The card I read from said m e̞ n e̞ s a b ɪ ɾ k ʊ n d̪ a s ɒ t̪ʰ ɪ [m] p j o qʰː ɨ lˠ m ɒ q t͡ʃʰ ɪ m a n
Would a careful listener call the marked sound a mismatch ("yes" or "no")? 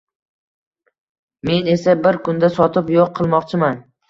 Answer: yes